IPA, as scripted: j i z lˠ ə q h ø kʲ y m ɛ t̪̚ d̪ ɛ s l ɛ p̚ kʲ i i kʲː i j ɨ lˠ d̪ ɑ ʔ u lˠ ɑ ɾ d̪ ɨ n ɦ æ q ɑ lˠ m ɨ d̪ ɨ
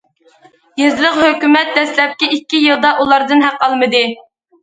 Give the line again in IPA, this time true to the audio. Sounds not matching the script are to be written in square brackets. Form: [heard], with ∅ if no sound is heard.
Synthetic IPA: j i z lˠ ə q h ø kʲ y m ɛ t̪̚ d̪ ɛ s l ɛ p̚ kʲ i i kʲː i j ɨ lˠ d̪ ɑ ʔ u lˠ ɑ ɾ d̪ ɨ n ɦ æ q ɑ lˠ m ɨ d̪ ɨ